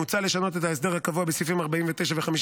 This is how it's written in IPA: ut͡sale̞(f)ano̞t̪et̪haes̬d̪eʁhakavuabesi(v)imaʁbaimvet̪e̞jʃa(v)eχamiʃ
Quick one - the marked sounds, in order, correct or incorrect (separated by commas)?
incorrect, incorrect, correct